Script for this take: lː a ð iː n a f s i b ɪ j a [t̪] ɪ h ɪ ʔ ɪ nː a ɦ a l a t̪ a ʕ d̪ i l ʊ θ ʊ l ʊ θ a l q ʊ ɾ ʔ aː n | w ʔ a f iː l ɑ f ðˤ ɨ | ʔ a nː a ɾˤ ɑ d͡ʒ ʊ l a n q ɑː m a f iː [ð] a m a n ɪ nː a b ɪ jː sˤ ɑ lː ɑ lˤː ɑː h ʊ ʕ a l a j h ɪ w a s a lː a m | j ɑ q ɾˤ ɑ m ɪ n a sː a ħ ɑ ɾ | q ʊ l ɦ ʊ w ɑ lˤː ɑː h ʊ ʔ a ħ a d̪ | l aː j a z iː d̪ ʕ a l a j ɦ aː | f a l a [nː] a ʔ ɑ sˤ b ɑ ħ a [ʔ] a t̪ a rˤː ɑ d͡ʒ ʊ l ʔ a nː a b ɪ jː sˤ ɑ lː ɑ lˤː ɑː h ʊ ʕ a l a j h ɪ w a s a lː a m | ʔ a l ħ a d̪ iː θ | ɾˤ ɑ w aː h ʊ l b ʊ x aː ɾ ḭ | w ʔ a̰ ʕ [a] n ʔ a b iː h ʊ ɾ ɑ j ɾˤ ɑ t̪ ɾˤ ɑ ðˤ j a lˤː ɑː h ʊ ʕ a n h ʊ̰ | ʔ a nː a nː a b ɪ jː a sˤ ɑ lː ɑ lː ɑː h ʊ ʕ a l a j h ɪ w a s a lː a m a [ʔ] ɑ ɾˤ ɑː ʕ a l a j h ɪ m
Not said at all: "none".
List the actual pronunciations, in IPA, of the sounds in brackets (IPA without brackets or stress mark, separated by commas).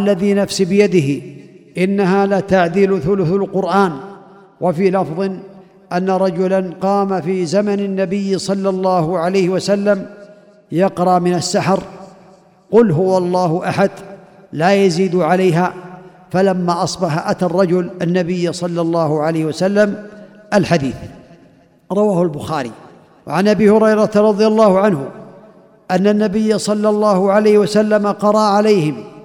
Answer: d̪, z, mː, ʔ, a, q